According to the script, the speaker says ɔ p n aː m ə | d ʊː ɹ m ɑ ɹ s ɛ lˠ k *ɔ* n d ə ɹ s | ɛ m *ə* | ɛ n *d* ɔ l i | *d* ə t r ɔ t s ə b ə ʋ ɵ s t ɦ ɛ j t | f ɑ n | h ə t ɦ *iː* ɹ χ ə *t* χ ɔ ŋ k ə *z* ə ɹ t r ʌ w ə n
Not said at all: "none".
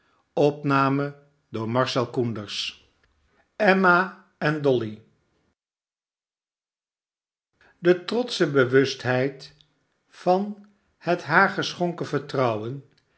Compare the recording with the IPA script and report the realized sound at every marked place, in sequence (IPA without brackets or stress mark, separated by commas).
u, a, d, d, aː, s, v